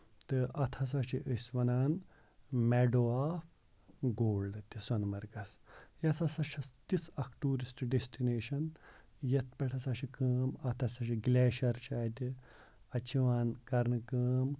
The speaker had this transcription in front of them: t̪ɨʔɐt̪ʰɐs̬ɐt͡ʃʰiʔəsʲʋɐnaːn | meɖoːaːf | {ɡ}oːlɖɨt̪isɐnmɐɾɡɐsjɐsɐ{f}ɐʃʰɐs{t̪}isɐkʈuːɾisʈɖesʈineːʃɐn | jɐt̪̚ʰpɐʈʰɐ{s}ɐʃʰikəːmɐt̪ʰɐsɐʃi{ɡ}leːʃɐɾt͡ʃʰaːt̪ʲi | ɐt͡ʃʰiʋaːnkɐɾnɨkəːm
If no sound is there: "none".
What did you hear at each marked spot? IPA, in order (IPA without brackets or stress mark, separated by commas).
ɡ, s, t̪, s, ɡ